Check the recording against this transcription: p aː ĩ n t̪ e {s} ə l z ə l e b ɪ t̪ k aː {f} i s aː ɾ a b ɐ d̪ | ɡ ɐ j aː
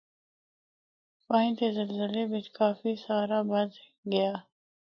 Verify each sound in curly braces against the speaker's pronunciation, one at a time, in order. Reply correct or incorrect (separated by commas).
incorrect, correct